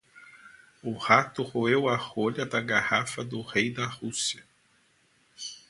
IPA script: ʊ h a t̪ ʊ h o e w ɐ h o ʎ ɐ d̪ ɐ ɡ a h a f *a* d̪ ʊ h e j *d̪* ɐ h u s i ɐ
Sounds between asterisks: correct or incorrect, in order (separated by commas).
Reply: incorrect, correct